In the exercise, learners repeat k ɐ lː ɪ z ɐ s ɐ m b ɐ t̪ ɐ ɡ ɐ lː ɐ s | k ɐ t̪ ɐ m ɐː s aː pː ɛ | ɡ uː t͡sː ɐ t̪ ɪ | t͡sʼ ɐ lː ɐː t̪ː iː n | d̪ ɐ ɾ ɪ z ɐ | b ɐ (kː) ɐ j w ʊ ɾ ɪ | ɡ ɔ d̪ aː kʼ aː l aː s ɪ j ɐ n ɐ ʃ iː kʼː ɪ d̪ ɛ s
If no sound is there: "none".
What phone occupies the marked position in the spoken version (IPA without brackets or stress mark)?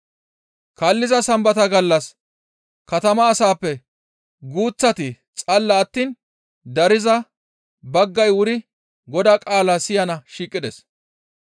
ɡː